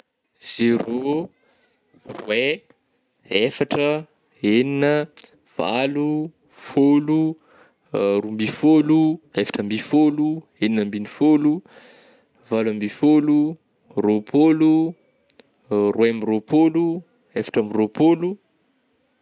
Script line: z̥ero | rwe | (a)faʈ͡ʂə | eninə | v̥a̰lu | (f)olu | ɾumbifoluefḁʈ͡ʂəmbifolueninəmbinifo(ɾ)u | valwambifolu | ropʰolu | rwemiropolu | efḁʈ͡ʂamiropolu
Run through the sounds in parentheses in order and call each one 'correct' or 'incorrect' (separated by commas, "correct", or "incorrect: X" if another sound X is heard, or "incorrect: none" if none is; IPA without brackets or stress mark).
incorrect: e, correct, incorrect: l